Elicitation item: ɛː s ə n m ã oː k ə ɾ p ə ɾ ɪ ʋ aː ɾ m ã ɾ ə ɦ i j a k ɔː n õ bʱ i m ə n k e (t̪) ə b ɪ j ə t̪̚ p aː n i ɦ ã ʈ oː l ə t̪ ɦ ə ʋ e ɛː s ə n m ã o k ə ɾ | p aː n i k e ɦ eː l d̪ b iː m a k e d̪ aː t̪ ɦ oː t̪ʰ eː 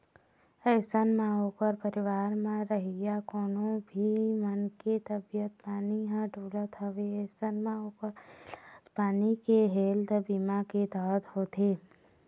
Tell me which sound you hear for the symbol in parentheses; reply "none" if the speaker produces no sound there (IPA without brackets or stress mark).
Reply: t̪